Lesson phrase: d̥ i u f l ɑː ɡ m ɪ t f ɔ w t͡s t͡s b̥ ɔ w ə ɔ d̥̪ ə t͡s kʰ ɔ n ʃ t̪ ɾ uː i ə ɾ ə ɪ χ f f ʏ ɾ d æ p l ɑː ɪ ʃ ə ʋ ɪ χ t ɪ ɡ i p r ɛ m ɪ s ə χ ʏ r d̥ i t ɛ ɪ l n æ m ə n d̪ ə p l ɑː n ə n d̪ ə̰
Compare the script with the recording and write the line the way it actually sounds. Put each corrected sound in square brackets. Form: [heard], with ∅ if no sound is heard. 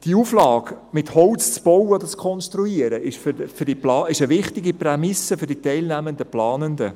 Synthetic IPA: d̥ i u f l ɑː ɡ m ɪ t [h] ɔ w t͡s t͡s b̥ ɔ w ə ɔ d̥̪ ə t͡s kʰ ɔ n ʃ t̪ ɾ [u] i ə ɾ ə ɪ [ʃ] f f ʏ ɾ d [i] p l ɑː ɪ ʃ ə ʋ ɪ χ t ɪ ɡ i p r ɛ m ɪ s ə [f] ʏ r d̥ i t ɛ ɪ l n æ m ə n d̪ ə p l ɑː n ə n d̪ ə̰

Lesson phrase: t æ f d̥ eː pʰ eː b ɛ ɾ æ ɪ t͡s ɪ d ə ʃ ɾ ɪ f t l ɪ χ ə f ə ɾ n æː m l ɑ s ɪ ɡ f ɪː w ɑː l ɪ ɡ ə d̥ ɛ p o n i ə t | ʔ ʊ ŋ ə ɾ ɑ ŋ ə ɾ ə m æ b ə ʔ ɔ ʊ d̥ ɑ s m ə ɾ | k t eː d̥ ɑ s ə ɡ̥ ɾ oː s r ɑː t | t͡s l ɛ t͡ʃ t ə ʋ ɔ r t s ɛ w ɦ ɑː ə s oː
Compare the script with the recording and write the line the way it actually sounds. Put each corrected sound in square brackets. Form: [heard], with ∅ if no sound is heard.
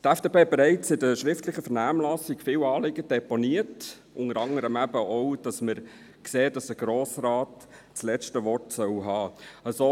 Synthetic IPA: t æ f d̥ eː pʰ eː b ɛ ɾ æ ɪ t͡s ɪ d ə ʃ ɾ ɪ f t l ɪ χ ə f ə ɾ n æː m l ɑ s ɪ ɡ f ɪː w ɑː l ɪ ɡ ə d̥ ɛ p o n i ə t | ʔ ʊ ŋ ə ɾ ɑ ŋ ə ɾ ə m æ b ə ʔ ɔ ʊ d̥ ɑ s m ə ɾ | k [s] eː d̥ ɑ s ə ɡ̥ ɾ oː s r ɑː t | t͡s l ɛ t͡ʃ t ə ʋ ɔ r t s [œ] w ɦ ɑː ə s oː

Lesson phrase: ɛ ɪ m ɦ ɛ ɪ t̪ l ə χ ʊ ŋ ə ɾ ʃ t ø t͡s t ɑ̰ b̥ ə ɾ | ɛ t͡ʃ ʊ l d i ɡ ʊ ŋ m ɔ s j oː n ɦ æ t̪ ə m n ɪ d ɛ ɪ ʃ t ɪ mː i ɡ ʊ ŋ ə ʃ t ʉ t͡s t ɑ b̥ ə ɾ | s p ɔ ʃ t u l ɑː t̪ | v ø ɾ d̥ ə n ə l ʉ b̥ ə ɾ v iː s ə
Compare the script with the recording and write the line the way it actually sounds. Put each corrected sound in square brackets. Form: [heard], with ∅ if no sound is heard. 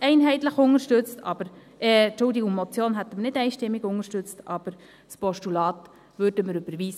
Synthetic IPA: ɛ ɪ [n] ɦ ɛ ɪ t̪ l ə χ ʊ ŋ ə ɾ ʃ t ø t͡s t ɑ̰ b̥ ə ɾ | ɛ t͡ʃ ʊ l d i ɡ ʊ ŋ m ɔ [t͡s] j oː n ɦ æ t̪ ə m n ɪ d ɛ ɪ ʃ t ɪ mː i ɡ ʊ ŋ ə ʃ t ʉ t͡s t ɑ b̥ ə ɾ | s p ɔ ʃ t u l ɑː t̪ | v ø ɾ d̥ ə [m] ə [ɾ] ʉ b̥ ə ɾ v iː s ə

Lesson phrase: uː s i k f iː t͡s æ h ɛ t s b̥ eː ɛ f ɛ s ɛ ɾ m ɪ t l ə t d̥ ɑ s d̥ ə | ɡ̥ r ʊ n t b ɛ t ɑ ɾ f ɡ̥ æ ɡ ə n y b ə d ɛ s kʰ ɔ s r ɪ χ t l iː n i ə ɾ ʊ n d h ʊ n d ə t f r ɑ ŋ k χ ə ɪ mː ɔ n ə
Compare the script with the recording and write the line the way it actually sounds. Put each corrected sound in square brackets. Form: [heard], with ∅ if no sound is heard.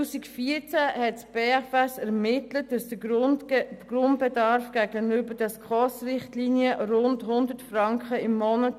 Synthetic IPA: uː s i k f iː t͡s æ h ɛ t s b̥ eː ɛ f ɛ s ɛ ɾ m ɪ t l ə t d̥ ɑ s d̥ ə | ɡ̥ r ʊ n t b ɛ [d] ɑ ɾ f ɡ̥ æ ɡ ə n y b ə d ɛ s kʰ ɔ s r ɪ χ t l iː n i ə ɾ ʊ n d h ʊ n d ə t f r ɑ ŋ k χ ə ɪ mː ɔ n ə

